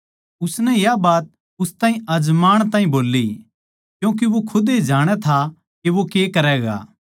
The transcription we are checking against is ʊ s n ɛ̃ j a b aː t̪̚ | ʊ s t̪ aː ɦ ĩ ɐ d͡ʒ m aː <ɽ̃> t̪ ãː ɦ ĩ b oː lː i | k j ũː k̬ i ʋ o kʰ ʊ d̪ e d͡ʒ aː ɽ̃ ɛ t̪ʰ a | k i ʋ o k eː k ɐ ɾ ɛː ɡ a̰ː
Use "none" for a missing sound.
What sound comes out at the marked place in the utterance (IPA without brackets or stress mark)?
ɽ̃